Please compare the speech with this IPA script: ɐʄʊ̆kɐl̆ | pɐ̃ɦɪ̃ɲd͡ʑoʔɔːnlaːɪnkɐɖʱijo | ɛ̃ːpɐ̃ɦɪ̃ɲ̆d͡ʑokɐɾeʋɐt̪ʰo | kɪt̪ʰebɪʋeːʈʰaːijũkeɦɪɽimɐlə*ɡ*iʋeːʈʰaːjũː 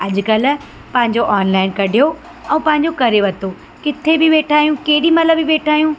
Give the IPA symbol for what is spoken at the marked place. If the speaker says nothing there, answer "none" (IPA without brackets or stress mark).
b